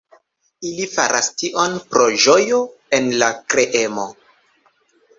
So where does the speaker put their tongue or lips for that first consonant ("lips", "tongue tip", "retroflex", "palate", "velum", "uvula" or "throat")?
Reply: tongue tip